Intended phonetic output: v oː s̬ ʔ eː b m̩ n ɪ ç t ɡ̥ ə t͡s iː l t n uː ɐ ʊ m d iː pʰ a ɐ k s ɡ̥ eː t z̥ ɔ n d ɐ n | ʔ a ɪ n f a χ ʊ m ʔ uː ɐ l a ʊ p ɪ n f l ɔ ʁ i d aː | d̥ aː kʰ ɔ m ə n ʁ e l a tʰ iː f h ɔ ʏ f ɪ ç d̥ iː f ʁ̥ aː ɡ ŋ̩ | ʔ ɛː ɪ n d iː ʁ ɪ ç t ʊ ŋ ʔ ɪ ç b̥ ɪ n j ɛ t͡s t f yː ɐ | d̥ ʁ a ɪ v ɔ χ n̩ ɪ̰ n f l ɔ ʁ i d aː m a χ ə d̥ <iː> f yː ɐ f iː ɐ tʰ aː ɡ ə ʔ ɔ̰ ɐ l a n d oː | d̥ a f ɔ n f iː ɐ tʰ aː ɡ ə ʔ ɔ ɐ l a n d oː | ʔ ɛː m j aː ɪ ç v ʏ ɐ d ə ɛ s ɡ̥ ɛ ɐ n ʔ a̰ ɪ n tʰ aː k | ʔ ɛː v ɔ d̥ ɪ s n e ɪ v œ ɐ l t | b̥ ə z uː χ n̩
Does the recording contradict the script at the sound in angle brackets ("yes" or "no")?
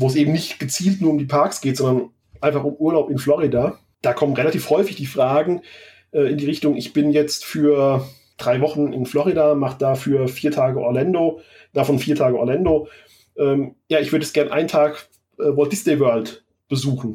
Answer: yes